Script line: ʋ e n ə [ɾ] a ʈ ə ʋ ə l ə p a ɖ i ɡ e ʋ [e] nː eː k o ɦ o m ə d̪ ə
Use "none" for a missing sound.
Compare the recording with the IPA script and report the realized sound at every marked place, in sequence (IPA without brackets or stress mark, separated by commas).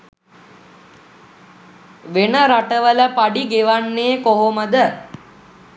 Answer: ɾ, a